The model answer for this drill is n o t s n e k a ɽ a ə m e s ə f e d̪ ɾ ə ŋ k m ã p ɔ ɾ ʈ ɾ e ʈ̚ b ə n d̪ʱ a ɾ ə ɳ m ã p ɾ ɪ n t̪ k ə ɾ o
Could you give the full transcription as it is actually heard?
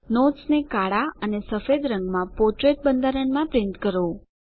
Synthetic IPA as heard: n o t s n e k a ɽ a ə n e s ə f e d̪ ɾ ə ŋ ɡ m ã p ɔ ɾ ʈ ɾ e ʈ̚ b ə n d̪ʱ a ɾ ə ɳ m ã p ɾ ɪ n t̪ k ə ɾ o